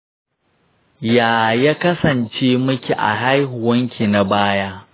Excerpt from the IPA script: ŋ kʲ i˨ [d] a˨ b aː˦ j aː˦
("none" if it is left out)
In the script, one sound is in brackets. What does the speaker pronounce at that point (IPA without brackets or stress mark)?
n